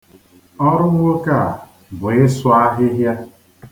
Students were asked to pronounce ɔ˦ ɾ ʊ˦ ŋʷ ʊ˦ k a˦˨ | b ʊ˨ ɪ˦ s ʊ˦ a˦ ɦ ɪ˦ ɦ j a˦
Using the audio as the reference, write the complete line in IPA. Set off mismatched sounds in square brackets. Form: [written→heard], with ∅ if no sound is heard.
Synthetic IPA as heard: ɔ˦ ɾ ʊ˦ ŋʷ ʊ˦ k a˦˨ | b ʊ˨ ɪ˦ s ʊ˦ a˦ ɦ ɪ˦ ɦ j a˦